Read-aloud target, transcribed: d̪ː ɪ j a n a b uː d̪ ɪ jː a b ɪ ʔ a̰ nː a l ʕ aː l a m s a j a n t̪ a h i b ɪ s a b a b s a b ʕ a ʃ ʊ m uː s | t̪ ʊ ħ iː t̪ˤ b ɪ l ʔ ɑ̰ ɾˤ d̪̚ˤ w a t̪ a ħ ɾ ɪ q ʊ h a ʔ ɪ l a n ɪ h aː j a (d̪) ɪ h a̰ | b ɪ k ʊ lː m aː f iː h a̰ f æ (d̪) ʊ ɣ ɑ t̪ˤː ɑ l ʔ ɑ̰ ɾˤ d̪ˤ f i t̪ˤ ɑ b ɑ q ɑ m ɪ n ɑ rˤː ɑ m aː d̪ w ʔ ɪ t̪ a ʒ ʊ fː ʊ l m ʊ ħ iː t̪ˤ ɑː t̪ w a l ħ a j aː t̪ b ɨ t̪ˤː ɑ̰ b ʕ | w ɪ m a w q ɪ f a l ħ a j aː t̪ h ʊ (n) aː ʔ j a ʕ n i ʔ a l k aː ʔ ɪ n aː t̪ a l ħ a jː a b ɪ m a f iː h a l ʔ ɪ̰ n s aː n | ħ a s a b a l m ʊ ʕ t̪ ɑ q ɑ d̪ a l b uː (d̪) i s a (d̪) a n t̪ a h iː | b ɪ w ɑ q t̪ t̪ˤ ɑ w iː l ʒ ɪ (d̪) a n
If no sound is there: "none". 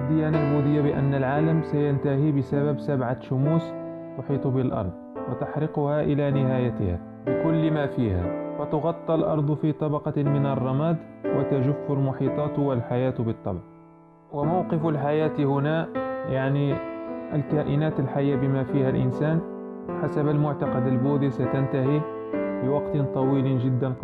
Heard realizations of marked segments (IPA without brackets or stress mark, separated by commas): t̪, t̪, n, d̪, t̪, d̪ː